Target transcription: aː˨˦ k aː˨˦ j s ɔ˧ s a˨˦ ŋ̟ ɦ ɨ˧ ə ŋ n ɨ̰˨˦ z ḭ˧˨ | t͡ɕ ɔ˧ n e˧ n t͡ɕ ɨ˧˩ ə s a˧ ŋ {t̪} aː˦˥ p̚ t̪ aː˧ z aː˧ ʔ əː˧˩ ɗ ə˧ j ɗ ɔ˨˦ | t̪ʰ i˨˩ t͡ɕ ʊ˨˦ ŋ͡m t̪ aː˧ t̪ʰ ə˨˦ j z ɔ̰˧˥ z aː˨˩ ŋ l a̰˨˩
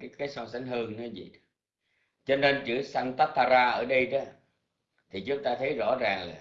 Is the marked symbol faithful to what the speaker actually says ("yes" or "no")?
yes